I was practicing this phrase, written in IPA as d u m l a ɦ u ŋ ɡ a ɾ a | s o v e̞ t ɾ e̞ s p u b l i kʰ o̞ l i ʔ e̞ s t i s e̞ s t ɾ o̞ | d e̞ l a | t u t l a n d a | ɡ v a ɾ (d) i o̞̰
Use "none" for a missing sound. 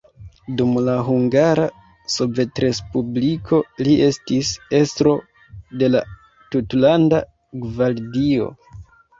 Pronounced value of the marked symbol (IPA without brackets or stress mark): d